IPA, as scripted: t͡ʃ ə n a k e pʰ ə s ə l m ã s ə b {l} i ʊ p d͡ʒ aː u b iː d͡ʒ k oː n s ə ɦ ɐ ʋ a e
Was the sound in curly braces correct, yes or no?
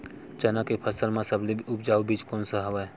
yes